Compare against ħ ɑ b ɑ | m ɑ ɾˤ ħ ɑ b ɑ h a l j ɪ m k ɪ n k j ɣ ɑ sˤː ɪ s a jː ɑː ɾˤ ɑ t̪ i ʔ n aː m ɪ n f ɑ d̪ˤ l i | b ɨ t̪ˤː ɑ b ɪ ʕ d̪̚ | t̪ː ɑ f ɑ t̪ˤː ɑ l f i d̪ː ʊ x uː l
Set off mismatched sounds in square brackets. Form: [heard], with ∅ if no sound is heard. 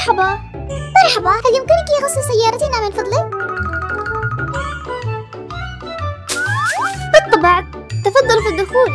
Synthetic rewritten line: ħ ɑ b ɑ | m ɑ ɾˤ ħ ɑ b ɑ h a l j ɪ m k ɪ n k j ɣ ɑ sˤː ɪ s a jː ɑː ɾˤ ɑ t̪ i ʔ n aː m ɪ n f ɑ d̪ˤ l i | b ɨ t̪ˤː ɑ b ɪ ʕ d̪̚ | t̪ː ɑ f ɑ [d̪ˤː] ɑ l f i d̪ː ʊ x uː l